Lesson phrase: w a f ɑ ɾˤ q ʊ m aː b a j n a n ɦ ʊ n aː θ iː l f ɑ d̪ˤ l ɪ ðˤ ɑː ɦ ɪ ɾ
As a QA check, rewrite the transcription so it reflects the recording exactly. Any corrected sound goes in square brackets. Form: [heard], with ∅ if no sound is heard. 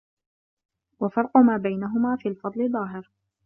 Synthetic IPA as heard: w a f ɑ ɾˤ q ʊ m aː b a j n a [∅] ɦ ʊ [m] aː [f] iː l f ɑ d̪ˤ l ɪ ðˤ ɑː ɦ ɪ ɾ